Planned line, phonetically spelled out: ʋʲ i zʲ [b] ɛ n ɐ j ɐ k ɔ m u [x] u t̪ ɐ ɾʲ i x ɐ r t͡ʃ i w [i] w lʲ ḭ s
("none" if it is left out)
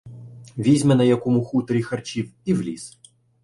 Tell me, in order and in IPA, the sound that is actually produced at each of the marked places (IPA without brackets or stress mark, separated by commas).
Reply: m, x, i